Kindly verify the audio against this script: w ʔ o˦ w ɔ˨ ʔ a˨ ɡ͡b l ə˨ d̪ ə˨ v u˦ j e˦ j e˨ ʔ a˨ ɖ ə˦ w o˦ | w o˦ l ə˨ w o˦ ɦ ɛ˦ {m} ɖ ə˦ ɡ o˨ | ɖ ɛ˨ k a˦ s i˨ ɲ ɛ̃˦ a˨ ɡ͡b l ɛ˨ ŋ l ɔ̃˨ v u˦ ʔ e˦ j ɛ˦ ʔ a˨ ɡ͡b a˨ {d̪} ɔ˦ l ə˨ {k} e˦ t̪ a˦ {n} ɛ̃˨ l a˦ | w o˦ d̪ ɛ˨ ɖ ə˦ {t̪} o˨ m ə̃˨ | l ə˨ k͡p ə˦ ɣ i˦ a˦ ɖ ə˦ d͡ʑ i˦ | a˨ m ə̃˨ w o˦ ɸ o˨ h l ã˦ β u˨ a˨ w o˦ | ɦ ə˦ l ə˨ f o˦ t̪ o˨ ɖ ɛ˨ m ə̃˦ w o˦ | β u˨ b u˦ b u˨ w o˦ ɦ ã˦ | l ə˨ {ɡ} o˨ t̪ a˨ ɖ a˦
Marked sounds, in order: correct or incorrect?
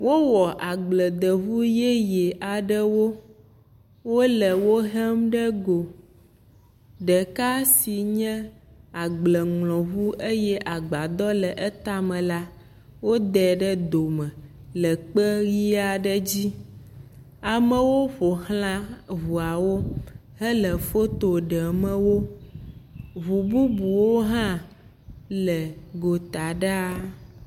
correct, correct, incorrect: ʔ, incorrect: m, incorrect: d̪, correct

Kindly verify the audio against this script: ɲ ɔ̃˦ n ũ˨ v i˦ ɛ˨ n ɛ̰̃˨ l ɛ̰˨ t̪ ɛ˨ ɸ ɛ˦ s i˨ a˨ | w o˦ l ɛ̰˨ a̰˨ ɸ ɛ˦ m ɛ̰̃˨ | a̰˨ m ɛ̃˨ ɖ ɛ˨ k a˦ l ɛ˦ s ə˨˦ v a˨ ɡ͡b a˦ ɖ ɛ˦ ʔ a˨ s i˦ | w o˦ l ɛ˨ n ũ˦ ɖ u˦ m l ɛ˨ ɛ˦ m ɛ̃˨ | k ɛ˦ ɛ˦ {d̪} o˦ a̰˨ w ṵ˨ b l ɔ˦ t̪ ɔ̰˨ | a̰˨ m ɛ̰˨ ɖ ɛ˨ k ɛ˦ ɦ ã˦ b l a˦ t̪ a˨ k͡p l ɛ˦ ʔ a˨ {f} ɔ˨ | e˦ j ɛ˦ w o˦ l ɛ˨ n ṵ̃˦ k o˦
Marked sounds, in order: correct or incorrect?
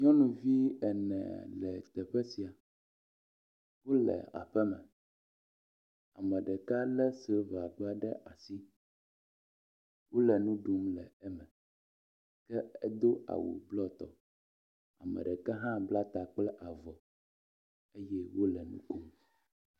correct, incorrect: v

